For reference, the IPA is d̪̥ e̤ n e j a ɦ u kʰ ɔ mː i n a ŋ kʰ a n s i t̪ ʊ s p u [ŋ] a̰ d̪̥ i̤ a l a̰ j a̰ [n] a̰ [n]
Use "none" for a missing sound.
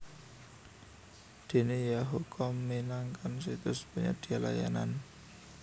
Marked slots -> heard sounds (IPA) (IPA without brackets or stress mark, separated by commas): ɲ, n, n